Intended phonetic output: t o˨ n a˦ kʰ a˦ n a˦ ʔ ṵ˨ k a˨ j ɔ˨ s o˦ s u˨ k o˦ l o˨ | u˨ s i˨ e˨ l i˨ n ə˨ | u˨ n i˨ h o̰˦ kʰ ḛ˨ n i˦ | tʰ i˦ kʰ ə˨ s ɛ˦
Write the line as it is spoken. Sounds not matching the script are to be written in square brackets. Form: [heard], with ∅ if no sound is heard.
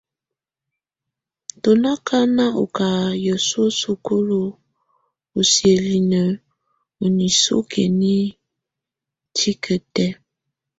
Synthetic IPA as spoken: t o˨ n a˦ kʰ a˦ n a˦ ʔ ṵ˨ k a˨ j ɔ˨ s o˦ s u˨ k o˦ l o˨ | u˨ s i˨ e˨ l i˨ n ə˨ | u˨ n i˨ [s] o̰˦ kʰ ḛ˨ n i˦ | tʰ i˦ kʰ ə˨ [t] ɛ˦